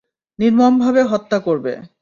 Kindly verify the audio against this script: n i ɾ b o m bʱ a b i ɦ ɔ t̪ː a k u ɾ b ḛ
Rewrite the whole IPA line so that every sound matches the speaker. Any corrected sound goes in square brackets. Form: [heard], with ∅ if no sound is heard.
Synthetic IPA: n i ɾ [m] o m bʱ a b [e] ɦ ɔ t̪ː a k [o] ɾ b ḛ

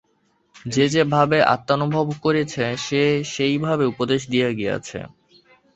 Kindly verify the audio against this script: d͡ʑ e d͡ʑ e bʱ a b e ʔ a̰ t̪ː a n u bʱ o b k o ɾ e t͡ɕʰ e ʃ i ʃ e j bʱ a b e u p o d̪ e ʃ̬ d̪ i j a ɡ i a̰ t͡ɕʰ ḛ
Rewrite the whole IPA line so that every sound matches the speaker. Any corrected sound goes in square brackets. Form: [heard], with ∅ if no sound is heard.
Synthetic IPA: d͡ʑ e d͡ʑ e bʱ a b e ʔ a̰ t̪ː a n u bʱ o b k o ɾ e t͡ɕʰ e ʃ [e] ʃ e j bʱ a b e u p o d̪ e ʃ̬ d̪ i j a ɡ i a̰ t͡ɕʰ ḛ

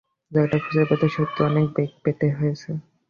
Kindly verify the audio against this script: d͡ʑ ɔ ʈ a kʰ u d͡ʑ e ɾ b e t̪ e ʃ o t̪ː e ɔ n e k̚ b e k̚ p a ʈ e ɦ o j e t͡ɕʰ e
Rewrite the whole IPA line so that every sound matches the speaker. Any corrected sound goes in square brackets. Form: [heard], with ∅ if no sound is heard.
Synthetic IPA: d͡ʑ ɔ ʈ a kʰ u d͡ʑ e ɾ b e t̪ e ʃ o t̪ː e ɔ n e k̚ b e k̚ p [e] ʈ e ɦ o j e t͡ɕʰ e

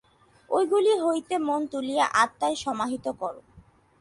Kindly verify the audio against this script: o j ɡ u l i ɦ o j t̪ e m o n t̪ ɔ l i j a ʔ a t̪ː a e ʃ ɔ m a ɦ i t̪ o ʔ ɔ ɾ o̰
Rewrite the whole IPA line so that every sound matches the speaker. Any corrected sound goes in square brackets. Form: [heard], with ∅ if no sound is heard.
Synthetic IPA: o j ɡ u l i ɦ o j t̪ e m o n t̪ [u] l i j a ʔ a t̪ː a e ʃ ɔ m a ɦ i t̪ o [k] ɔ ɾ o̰

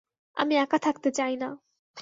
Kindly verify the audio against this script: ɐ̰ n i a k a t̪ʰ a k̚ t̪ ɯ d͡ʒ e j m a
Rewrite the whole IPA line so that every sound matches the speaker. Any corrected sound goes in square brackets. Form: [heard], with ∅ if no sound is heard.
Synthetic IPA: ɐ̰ [m] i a k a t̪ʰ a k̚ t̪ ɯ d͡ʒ [a] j [n] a

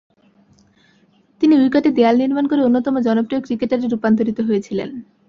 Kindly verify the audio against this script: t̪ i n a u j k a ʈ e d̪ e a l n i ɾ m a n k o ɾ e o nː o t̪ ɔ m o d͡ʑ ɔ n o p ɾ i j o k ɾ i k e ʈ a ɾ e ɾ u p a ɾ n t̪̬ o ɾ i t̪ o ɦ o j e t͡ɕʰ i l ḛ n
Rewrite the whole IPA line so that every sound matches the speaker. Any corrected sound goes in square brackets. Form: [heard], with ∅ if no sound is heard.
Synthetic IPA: t̪ i n [i] u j k a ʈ e d̪ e a l n i ɾ m a n k o ɾ e o nː o t̪ ɔ m o d͡ʑ ɔ n o p ɾ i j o k ɾ i k e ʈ a ɾ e ɾ u p a [∅] n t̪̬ o ɾ i t̪ o ɦ o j e t͡ɕʰ i l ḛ n

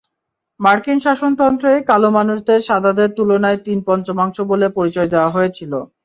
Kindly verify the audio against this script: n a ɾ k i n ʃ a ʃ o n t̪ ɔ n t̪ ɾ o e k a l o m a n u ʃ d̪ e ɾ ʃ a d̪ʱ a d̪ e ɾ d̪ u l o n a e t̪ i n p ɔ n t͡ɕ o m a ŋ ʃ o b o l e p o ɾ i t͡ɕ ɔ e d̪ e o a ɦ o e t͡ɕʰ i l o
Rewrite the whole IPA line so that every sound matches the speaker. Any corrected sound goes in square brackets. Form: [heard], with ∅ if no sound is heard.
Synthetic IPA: [m] a ɾ k i n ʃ a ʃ o n t̪ ɔ n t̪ ɾ o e k a l o m a n u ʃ d̪ e ɾ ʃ a d̪ʱ a d̪ e ɾ [t̪] u l o n a e t̪ i n p ɔ n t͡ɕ o m a ŋ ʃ o b o l e p o ɾ i t͡ɕ ɔ e d̪ e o a ɦ o e t͡ɕʰ i l o

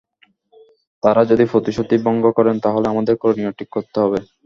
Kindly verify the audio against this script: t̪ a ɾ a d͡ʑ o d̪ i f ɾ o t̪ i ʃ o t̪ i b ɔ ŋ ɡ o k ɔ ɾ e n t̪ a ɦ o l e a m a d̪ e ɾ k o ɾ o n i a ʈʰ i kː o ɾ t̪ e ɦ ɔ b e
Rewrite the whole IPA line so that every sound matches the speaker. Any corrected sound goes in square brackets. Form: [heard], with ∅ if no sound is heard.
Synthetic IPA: t̪ a ɾ a d͡ʑ o d̪ i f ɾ o t̪ i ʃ o t̪ i b ɔ ŋ ɡ o k ɔ ɾ e n t̪ a ɦ o l e a m a d̪ e ɾ k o ɾ o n i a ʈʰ i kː o ɾ t̪ e ɦ ɔ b e

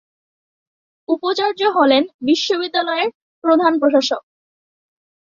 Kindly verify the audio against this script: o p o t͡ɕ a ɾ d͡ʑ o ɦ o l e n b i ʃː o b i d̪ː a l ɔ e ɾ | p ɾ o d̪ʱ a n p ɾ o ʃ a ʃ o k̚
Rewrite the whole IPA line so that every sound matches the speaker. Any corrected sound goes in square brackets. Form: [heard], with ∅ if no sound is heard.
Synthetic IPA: [u] p o t͡ɕ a ɾ d͡ʑ o ɦ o l e n b i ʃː o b i d̪ː a l ɔ e ɾ | p ɾ o d̪ʱ a n p ɾ o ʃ a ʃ o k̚

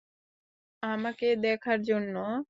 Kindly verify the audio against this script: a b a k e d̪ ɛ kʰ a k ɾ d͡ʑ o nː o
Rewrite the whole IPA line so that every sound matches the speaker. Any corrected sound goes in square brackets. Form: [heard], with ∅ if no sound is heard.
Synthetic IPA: a [m] a k e d̪ ɛ kʰ a [∅] ɾ d͡ʑ o nː o

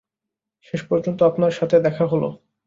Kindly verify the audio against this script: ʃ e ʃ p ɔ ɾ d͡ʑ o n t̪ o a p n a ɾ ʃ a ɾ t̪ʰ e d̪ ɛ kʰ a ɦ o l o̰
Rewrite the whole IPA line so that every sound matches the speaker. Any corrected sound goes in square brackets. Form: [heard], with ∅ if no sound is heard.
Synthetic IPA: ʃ e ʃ p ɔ ɾ d͡ʑ o n t̪ o a p n a ɾ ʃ a [∅] t̪ʰ e d̪ ɛ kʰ a ɦ o l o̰

